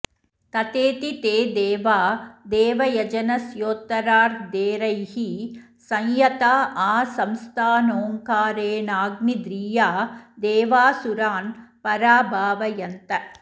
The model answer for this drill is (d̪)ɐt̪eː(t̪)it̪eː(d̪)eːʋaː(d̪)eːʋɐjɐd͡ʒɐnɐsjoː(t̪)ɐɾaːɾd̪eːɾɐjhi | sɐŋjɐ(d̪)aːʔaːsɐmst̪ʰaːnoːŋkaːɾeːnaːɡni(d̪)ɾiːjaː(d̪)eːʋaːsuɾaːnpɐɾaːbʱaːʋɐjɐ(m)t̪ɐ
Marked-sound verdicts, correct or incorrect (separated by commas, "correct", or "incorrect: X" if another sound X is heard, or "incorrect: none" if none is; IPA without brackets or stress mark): incorrect: t̪, correct, correct, correct, correct, incorrect: t̪, correct, correct, incorrect: n